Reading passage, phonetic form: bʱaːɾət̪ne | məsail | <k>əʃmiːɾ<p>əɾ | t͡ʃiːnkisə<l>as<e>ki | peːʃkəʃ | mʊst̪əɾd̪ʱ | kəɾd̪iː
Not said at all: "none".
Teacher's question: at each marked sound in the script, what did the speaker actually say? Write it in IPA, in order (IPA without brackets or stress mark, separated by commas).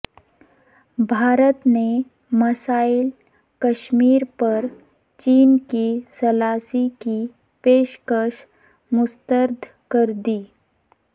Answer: k, p, l, i